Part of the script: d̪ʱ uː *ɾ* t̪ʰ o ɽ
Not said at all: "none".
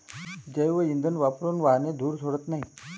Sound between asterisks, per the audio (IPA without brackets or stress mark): ɾ